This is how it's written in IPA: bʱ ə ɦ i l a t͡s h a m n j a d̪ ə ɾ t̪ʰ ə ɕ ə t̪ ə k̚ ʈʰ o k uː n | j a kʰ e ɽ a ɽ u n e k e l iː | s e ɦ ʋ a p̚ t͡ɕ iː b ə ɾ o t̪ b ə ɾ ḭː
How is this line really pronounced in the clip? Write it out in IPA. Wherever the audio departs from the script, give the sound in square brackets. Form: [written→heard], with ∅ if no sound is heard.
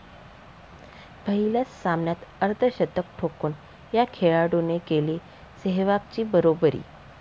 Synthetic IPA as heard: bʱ ə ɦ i l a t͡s [h→s] a m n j a [d̪→t̪] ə ɾ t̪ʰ ə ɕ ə t̪ ə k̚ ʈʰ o k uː n | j a kʰ e [ɽ→ɭ] a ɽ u n e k e l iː | s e ɦ ʋ a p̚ t͡ɕ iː b ə ɾ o [t̪→∅] b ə ɾ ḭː